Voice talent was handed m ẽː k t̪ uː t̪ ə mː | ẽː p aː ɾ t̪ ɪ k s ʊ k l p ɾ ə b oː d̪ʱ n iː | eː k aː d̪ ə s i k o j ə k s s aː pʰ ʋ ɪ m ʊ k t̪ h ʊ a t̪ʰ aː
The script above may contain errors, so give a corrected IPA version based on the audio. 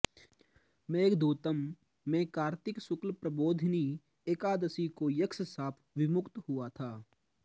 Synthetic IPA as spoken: m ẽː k d̪ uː t̪ ə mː | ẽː k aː ɾ t̪ ɪ k s ʊ k l p ɾ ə b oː d̪ʱ n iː | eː k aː d̪ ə s i k o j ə k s s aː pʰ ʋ ɪ m ʊ k t̪ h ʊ a t̪ʰ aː